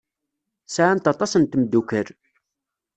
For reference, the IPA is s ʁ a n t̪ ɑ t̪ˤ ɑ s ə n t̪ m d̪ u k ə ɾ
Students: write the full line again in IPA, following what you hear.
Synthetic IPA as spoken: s ʕ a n t̪ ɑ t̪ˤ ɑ s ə n t̪ m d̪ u k ə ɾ